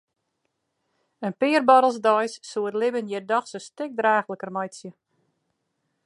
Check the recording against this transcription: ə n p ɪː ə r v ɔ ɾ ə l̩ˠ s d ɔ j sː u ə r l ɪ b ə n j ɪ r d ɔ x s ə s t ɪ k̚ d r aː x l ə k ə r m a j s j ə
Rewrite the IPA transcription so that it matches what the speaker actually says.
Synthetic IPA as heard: ə n p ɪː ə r b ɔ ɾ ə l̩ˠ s d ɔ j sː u ə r l ɪ b ə n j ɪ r d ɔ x s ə s t ɪ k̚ d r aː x l ə k ə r m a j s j ə

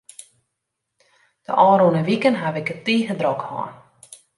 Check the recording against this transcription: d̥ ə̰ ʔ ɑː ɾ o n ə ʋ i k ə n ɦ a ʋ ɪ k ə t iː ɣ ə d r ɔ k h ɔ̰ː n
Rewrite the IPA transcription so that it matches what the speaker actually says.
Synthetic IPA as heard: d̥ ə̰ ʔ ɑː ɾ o n ə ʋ i k ə n ɦ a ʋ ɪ k ə t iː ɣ ə d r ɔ k h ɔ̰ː n

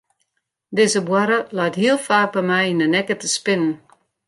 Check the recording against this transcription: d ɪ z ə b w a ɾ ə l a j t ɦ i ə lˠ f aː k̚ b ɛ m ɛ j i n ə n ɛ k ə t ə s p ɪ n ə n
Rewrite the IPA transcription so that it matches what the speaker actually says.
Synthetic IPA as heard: d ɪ z ə b w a ɾ ə l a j t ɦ i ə lˠ f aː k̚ b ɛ m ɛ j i n ə n ɛ k ə t ə s p ɪ n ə n

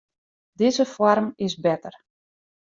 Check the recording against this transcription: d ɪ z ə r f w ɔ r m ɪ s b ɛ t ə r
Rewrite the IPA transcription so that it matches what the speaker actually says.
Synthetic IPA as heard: d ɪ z ə f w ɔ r m ɪ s b ɛ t ə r

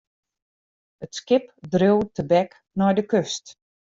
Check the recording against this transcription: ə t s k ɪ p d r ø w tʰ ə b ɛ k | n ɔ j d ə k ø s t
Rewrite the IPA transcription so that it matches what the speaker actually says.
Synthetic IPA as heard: ə t s k ɪ p d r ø w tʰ ə b ɛ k | n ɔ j d ə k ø s t

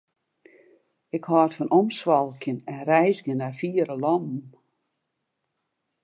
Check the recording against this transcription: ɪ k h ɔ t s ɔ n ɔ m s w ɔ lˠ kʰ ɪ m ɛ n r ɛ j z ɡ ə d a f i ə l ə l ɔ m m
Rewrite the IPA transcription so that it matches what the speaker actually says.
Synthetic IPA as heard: ɪ k h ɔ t f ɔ n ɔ m s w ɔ lˠ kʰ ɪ n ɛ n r ɛ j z ɡ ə n a f i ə ɾ ə l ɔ m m

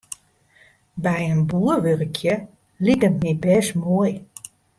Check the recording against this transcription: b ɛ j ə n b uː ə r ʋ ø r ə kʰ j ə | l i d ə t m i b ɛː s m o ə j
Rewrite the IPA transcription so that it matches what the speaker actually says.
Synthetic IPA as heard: b ɛ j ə n b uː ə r ʋ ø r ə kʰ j ə | l i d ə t m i b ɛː s m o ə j

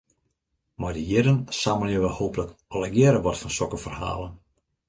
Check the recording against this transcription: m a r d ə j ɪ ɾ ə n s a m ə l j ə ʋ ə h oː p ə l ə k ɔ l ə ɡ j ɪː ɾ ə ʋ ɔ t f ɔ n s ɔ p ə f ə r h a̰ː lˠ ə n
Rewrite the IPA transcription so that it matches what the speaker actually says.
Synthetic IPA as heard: m a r d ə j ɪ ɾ ə n s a m ə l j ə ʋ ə h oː p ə l ə k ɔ l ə ɡ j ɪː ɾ ə ʋ ɔ t f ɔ n s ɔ k ə f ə r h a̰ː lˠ ə n

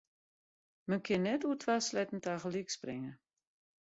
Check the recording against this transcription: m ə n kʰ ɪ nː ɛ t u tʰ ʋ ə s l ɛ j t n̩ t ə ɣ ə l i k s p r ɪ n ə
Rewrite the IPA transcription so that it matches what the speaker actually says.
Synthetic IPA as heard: m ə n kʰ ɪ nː ɛ t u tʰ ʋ a s l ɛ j t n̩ t a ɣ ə l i k s p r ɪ ŋ ə

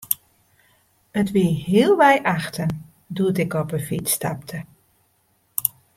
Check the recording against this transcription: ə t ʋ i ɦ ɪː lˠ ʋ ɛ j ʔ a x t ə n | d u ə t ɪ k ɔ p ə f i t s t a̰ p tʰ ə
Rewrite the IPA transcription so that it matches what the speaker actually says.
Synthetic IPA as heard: ə t ʋ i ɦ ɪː lˠ ʋ ɛ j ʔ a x t ə n | d u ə t ɪ k ɔ p ə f i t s t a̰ p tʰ ə

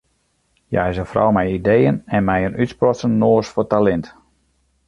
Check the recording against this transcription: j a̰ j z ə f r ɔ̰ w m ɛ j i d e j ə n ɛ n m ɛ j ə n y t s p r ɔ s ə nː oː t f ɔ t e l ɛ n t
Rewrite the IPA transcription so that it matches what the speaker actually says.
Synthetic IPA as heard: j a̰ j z ə f r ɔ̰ w m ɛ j i d e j ə n ɛ n m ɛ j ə n y t s p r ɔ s ə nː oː s f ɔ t a l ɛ n t

